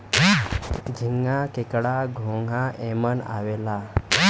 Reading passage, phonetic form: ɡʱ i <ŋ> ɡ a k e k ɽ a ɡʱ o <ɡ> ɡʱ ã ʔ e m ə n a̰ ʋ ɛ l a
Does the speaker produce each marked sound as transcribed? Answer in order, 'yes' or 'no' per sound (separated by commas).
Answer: yes, no